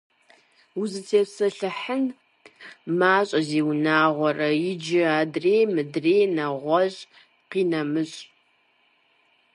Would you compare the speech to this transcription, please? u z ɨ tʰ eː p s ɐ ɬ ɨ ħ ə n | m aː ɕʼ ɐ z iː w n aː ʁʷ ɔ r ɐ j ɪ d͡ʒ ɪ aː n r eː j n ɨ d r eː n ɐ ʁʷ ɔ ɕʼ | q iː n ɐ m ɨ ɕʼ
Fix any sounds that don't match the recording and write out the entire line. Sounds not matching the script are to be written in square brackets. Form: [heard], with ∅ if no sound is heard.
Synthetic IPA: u z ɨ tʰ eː p s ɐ ɬ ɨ ħ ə n | m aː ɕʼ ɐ z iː w n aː ʁʷ ɔ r ɐ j ɪ d͡ʒ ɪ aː [d] r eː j [m] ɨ d r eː n ɐ ʁʷ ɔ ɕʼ | q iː n ɐ m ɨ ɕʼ

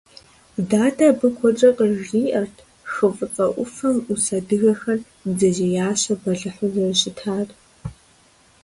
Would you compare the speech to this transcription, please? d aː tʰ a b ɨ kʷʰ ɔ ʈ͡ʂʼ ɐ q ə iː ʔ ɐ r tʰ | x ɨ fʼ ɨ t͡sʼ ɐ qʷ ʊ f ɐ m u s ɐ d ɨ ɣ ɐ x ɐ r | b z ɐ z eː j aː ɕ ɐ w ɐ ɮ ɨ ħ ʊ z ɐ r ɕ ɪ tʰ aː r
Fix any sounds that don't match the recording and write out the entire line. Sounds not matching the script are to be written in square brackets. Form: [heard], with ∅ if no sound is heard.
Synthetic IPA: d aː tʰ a b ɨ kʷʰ ɔ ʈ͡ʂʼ ɐ q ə iː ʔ ɐ r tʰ | x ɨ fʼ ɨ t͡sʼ ɐ [ʔʷ] ʊ f ɐ m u s ɐ d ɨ ɣ ɐ x ɐ r | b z ɐ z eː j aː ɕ ɐ [b] ɐ ɮ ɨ ħ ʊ z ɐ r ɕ ɪ tʰ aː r

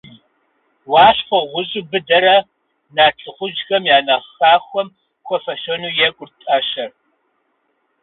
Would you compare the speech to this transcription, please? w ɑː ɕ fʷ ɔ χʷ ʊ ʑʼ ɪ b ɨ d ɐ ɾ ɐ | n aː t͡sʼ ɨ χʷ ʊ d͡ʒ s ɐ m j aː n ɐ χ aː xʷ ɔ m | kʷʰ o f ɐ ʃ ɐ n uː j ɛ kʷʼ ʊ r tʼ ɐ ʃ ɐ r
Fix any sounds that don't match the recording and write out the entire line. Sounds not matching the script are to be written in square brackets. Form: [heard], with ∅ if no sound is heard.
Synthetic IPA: w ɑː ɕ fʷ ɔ [ʁʷ] ʊ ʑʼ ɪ b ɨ d ɐ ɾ ɐ | n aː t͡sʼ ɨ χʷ ʊ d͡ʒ [x] ɐ m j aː n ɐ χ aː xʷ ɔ m | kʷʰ [ɔ] f ɐ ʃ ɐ n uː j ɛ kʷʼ ʊ r tʼ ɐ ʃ ɐ r

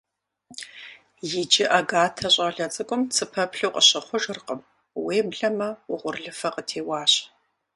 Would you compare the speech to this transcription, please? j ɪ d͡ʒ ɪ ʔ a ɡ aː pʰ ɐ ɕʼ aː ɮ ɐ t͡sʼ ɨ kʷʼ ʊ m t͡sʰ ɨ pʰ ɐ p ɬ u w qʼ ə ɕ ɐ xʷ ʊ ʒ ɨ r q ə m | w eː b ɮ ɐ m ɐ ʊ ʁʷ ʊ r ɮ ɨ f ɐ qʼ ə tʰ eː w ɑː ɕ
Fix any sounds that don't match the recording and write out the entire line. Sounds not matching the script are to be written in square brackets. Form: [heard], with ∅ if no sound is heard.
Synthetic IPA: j ɪ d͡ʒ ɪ ʔ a ɡ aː [tʰ] ɐ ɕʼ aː ɮ ɐ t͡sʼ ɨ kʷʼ ʊ m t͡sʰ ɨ pʰ ɐ p ɬ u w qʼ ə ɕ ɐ [χʷ] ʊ ʒ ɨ r q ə m | w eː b ɮ ɐ m ɐ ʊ ʁʷ ʊ r ɮ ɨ f ɐ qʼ ə tʰ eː w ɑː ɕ

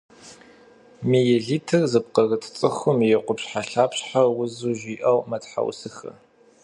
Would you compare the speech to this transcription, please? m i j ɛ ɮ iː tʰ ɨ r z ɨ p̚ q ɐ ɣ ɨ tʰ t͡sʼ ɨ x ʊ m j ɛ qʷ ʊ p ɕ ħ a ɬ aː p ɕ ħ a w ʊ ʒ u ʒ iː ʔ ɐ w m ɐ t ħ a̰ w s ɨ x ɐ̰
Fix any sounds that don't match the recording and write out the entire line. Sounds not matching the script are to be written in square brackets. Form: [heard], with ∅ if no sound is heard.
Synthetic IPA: m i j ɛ ɮ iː tʰ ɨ r z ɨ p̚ q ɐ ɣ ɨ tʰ t͡sʼ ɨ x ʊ m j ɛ qʷ ʊ p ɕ ħ a ɬ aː p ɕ ħ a w ʊ [z] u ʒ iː ʔ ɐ w m ɐ t ħ a̰ w s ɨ x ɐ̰

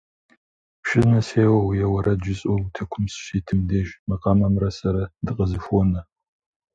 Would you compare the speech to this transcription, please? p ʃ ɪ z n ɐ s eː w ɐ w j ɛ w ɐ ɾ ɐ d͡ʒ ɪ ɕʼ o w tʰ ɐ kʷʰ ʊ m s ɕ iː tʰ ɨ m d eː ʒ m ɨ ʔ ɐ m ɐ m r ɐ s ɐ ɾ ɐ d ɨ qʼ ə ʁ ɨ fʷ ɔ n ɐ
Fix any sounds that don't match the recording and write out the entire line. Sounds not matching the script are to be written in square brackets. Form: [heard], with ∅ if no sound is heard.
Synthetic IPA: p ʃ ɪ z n ɐ s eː w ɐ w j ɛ w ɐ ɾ ɐ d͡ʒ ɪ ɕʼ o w tʰ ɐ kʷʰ ʊ m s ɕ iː tʰ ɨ m d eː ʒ m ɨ [q] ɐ m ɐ m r ɐ s ɐ ɾ ɐ d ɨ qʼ ə [z] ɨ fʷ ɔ n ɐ

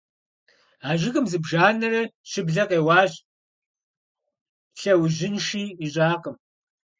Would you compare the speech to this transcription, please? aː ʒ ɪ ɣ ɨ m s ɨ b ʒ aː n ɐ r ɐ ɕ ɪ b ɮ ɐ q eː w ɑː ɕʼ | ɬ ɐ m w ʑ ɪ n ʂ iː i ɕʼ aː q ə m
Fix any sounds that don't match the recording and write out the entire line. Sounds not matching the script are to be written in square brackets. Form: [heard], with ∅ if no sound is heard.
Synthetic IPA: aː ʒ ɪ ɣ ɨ m [z] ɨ b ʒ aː n ɐ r ɐ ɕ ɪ b ɮ ɐ q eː w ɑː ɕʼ | ɬ ɐ [∅] w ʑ ɪ n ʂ iː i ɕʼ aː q ə m

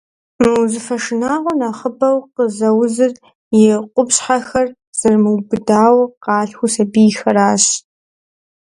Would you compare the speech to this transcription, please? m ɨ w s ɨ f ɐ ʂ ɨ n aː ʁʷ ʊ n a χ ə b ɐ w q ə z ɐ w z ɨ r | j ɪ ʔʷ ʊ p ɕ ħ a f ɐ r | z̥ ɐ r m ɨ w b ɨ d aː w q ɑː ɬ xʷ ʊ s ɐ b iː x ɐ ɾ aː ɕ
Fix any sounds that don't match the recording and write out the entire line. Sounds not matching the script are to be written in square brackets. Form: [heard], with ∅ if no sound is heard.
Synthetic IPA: m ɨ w [z] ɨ f ɐ ʂ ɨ n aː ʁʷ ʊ n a χ ə b ɐ w q ə z ɐ w z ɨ r | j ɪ [qʷ] ʊ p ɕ ħ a [x] ɐ r | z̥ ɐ r m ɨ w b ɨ d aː w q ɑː ɬ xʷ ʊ s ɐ b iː x ɐ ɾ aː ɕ

